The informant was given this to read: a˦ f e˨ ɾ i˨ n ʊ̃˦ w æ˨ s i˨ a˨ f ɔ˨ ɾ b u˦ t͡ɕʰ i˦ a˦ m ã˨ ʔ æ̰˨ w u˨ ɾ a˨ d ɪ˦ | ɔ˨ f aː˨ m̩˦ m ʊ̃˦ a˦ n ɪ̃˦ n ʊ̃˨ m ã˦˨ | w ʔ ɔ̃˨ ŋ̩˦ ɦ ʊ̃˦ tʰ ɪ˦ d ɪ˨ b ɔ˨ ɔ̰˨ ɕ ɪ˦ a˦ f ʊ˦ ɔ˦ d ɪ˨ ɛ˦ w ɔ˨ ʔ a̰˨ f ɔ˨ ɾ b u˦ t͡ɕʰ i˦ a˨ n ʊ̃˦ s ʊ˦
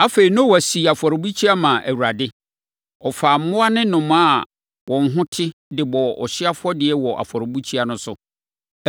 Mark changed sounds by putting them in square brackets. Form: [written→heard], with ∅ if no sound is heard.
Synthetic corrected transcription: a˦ f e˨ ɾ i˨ n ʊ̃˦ w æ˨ s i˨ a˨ f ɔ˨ ɾ b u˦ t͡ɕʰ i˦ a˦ m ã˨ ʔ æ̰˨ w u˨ ɾ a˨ d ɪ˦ | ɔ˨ f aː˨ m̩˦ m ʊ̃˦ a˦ n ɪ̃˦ n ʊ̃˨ m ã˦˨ | w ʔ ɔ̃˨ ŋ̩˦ ɦ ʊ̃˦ tʰ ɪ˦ d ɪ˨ b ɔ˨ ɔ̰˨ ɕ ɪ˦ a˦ f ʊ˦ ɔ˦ d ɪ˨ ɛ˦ w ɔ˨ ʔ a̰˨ f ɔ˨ ɾ b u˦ t͡ɕʰ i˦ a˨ n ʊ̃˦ s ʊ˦